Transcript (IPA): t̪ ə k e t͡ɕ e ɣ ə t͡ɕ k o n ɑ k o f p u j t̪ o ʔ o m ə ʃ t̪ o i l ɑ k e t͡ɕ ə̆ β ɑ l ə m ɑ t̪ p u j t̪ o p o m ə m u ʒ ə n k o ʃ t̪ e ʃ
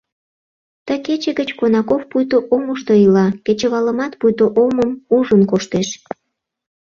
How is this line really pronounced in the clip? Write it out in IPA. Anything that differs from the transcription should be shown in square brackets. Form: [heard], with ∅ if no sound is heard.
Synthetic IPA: t̪ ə k e t͡ɕ e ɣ ə t͡ɕ k o n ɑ k o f p u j t̪ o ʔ o m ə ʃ t̪ o i l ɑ k e t͡ɕ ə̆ β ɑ l ə m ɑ t̪ p u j t̪ o [ʔ] o m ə m u ʒ ə n k o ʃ t̪ e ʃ

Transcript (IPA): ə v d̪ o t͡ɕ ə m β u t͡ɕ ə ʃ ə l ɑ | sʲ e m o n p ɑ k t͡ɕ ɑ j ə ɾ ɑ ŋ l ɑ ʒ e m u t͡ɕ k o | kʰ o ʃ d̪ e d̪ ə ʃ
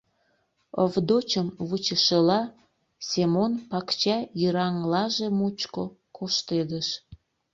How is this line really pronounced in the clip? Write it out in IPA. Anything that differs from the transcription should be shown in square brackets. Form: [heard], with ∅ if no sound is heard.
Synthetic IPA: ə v d̪ o t͡ɕ ə m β u t͡ɕ ə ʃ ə l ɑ | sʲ e m o n p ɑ k t͡ɕ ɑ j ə ɾ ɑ ŋ l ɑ ʒ e m u t͡ɕ k o | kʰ o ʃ [t̪] e d̪ ə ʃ

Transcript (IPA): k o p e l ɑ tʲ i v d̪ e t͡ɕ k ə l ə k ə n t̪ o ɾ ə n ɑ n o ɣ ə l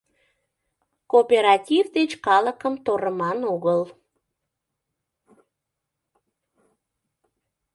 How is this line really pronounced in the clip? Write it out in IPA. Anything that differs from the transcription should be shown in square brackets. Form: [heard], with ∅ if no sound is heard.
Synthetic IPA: k o p e [ɾ] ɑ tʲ i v d̪ e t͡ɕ k [ɑ] l ə k ə [m] t̪ o ɾ ə [m] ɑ n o ɣ ə l

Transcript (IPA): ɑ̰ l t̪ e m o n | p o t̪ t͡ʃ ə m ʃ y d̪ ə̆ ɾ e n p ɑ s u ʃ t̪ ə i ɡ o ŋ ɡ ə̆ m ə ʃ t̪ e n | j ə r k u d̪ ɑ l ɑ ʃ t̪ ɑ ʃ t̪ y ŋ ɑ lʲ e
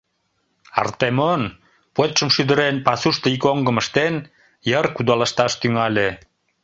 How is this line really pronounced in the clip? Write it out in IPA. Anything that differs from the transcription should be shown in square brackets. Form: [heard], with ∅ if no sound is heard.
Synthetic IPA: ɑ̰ [r] t̪ e m o n | p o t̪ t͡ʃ ə m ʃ y d̪ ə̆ ɾ e n p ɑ s u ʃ t̪ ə i [k] o ŋ ɡ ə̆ m ə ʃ t̪ e n | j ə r k u d̪ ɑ l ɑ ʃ t̪ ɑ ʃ t̪ y ŋ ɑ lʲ e

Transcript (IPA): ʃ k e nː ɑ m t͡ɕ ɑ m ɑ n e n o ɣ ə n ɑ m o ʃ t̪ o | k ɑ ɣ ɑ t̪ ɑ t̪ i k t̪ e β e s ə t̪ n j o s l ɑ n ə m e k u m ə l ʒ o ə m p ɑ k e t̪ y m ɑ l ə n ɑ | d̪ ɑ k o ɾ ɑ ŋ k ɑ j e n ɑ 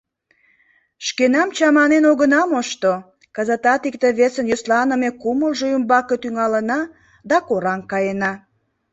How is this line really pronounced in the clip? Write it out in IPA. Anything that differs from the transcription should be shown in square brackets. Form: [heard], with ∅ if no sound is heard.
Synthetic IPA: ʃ k e [n] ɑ m t͡ɕ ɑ m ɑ n e n o ɣ ə n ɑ m o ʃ t̪ o | k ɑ [z] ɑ t̪ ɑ t̪ i k t̪ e β e s ə [∅] n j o s l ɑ n ə m e k u m ə l ʒ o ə m [b] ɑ k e t̪ y [ŋ] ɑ l ə n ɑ | d̪ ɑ k o ɾ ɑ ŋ k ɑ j e n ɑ

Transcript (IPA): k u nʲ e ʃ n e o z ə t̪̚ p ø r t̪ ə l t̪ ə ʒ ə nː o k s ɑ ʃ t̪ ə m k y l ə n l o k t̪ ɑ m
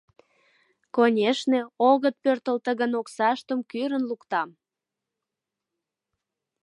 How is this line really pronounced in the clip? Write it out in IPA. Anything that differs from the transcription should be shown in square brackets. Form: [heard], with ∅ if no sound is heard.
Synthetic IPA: k [o] nʲ e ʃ n e o [ɣ] ə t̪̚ p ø r t̪ ə l t̪ ə [ɣ] ə [n] o k s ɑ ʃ t̪ ə m k y [ɾ] ə n l [u] k t̪ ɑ m

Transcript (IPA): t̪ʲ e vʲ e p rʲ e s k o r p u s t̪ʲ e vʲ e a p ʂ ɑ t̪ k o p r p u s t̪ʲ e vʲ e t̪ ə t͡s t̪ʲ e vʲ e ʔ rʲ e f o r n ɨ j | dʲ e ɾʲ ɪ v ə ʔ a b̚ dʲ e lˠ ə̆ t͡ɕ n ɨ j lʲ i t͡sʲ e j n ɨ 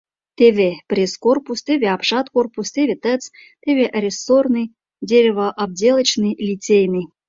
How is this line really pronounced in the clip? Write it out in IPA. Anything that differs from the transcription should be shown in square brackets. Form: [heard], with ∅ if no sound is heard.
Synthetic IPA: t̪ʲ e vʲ e p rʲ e s k o r p u s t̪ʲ e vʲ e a p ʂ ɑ t̪ k o [∅] r p u s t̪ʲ e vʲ e t̪ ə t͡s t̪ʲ e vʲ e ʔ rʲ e [s] o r n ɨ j | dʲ e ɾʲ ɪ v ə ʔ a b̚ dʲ e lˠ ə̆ t͡ɕ n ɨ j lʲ i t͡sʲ e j n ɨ

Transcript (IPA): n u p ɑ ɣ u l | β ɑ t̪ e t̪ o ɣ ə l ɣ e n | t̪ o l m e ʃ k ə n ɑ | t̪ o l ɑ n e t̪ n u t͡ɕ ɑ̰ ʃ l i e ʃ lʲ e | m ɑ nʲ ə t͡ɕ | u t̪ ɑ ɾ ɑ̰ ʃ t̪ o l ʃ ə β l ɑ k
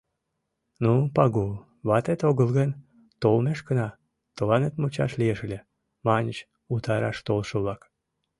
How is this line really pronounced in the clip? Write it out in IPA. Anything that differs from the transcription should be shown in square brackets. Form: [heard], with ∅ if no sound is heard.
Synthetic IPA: n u p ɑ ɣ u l | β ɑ t̪ e t̪ o ɣ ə l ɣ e n | t̪ o l m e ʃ k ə n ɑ | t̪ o l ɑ n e t̪ [m] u t͡ɕ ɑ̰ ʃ l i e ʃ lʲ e | m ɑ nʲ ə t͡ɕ | u t̪ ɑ ɾ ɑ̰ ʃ t̪ o l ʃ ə β l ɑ k

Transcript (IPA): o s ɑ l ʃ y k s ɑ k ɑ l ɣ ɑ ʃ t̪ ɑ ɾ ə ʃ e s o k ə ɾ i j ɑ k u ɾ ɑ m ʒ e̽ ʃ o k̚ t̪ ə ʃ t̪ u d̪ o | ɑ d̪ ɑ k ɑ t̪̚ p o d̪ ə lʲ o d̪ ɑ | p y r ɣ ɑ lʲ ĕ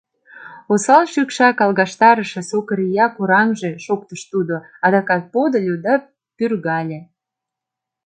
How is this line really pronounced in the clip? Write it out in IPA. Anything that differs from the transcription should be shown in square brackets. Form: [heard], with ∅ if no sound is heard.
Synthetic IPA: o s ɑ l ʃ y k [ʃ] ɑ k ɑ l ɣ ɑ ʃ t̪ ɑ ɾ ə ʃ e s o k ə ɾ i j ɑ k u ɾ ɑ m ʒ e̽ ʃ o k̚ t̪ ə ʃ t̪ u d̪ o | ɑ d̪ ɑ k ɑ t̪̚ p o d̪ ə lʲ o d̪ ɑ | p y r ɣ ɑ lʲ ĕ

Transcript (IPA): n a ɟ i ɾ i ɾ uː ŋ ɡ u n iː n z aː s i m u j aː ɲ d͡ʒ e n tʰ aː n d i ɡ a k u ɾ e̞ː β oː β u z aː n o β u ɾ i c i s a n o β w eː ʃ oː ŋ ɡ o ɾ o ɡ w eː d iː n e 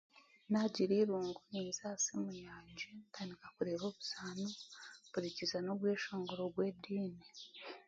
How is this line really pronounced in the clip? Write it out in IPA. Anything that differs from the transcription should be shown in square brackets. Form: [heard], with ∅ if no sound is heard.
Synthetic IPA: n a ɟ i ɾ i ɾ uː ŋ ɡ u n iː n z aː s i m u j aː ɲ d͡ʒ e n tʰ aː n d i [k] a k u ɾ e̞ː β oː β u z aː n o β u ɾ i c i [z] a n o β w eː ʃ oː ŋ ɡ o ɾ o ɡ w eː d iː n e

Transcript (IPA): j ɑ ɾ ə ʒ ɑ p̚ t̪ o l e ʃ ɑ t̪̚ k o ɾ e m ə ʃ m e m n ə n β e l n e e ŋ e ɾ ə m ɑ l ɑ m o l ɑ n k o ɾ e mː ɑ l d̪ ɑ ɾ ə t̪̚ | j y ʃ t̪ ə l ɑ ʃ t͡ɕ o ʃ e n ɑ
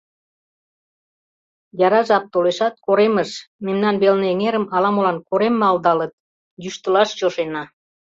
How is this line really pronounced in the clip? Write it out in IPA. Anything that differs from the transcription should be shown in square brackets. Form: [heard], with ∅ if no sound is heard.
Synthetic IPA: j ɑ ɾ [ɑ] ʒ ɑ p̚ t̪ o l e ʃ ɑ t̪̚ k o ɾ e m ə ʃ m e m n [ɑ] n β e l n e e ŋ e ɾ ə m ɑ l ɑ m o l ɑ n k o ɾ e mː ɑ l d̪ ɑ [l] ə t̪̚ | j y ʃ t̪ ə l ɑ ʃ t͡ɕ o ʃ e n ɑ

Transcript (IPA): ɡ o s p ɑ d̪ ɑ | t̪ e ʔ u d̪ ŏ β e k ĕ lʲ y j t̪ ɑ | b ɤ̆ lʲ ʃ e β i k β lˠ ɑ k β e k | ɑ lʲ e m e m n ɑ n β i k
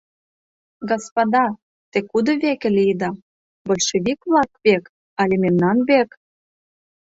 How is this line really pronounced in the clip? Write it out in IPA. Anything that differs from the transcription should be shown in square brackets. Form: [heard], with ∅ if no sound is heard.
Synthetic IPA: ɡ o s p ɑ d̪ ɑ | t̪ e [k] u d̪ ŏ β e k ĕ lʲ [i] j [d̪] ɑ | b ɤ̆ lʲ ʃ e β i k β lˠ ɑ k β e k | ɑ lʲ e m e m n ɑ n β [e] k

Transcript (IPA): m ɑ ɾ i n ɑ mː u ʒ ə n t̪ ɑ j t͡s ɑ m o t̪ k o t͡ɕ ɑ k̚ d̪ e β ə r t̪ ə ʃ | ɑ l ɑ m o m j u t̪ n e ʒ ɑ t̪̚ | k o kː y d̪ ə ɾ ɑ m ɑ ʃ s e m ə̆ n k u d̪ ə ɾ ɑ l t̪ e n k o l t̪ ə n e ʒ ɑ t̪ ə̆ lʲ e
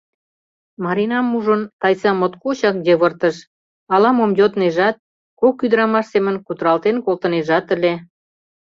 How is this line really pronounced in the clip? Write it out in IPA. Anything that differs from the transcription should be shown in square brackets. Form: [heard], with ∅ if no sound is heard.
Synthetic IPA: m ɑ ɾ i n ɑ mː u ʒ ə n t̪ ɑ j t͡s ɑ m o t̪ k o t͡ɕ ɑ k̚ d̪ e β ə r t̪ ə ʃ | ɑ l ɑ m o m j [o] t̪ n e ʒ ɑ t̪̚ | k o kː y d̪ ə ɾ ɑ m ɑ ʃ s e m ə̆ n k u [t̪] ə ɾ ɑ l t̪ e n k o l t̪ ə n e ʒ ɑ t̪ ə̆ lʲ e

